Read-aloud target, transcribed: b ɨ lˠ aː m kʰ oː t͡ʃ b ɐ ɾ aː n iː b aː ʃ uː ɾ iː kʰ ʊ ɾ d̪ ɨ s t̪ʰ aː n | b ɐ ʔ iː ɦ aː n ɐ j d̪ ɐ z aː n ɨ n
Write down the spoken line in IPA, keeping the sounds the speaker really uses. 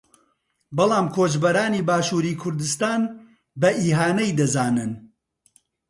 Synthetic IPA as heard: b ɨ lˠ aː m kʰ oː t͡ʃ b ɐ ɾ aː n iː b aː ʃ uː ɾ iː kʰ ʊ ɾ d̪ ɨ s t̪ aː n | b ɐ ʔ iː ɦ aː n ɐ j d̪ ɐ z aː n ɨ n